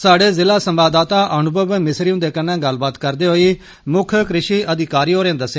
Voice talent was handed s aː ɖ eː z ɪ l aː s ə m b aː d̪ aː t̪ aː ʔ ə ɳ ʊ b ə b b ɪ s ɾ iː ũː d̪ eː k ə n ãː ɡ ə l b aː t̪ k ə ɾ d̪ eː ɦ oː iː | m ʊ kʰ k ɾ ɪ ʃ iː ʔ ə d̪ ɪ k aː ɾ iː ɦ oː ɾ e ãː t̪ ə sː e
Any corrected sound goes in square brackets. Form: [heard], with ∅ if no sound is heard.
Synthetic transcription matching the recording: s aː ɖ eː z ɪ l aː s ə m b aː d̪ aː t̪ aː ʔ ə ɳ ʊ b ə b [m] ɪ s ɾ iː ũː d̪ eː k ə n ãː ɡ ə l b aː t̪ k ə ɾ d̪ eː ɦ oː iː | m ʊ kʰ k ɾ ɪ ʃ iː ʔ ə d̪ ɪ k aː ɾ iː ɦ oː ɾ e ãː [d̪] ə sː e